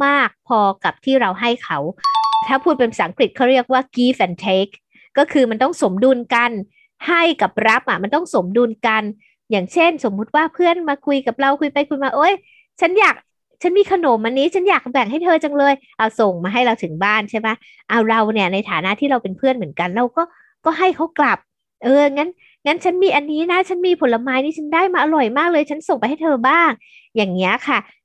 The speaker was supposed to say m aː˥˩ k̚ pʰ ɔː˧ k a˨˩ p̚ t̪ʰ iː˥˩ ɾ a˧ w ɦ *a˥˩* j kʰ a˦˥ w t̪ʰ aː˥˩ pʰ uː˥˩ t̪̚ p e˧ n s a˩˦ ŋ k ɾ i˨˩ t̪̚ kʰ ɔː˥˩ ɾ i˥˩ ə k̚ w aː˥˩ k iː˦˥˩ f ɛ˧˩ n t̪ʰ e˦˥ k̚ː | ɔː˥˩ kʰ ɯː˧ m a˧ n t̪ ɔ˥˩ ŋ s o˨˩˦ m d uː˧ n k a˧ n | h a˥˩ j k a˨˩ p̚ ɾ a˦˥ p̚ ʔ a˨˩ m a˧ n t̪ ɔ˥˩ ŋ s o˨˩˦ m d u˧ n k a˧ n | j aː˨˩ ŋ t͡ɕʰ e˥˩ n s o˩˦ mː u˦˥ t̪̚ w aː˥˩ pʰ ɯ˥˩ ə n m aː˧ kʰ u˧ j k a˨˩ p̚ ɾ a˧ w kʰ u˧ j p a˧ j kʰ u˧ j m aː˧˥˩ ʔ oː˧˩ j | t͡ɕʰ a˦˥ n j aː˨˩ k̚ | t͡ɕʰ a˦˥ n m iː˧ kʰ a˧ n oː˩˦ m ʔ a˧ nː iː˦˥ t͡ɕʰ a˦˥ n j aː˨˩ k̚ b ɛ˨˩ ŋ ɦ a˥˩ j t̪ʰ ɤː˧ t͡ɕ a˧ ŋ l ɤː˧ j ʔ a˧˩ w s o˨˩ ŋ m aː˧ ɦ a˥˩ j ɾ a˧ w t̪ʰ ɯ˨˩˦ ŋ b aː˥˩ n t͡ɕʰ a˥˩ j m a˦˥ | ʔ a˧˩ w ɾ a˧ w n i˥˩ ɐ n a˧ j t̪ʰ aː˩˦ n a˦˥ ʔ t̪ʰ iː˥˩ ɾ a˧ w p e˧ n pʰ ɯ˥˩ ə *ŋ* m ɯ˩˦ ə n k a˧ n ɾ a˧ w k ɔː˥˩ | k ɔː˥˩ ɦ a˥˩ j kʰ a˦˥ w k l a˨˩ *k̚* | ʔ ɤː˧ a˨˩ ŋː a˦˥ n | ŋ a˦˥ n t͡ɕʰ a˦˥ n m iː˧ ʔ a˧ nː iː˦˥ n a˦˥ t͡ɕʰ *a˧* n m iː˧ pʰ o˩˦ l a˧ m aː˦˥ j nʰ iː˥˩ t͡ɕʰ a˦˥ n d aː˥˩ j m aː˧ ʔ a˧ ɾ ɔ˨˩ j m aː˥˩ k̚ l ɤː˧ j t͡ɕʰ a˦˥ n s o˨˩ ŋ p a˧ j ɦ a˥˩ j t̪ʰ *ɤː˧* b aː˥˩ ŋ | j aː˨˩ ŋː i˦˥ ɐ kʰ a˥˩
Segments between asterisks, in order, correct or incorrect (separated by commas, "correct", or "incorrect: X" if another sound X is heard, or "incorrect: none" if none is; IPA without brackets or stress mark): correct, incorrect: n, incorrect: p̚, incorrect: a˦˥, correct